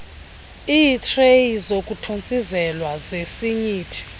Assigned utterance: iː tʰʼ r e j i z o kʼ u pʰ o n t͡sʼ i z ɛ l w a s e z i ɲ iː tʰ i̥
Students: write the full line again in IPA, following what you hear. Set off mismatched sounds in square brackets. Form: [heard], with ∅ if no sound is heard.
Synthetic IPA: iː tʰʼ r e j i z o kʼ u [tʰ] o n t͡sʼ i z ɛ l w a [z] e [s] i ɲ iː tʰ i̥

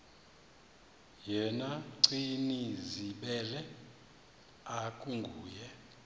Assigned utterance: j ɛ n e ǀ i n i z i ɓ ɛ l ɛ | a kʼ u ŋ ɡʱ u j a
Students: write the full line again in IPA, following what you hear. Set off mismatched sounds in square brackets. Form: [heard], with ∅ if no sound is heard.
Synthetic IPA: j ɛ n [a] ǀ i n i z i ɓ ɛ l ɛ | a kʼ u ŋ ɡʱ [uː] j [ɛ]

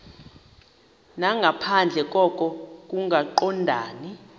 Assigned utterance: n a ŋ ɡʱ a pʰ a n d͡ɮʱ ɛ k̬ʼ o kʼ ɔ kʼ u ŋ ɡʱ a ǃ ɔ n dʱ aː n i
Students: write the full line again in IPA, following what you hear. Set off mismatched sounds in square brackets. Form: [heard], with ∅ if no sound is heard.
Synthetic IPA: n a ŋ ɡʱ a pʰ a n d͡ɮʱ ɛ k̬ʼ [ɔ] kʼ ɔ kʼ u ŋ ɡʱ a ǃ ɔ n dʱ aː n i

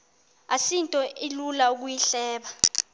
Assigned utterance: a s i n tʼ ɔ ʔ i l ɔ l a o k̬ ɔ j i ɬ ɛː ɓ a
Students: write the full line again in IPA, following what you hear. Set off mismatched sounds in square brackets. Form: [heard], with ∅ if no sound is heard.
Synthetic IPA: a s i n tʼ ɔ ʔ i l [u] l a [u] k̬ [u] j i ɬ ɛː ɓ a

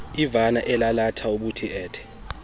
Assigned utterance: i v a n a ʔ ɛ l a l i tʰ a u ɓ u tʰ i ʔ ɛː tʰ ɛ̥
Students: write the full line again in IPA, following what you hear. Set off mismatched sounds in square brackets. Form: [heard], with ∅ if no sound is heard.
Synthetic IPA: i v a n a ʔ ɛ l a l [a] tʰ a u ɓ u tʰ i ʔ ɛː tʰ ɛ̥

